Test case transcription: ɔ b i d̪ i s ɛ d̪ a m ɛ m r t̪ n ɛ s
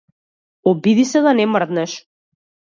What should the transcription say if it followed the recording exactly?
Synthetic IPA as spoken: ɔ b i d̪ i s ɛ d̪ a n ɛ m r d̪ n ɛ ʃ